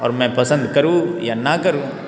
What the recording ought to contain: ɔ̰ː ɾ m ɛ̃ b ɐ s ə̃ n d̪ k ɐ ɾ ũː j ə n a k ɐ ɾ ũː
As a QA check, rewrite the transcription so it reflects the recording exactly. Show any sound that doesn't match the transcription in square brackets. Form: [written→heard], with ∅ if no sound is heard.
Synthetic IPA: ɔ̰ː ɾ m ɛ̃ [b→p] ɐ s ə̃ n d̪ k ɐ ɾ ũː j [ə→a] n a k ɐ ɾ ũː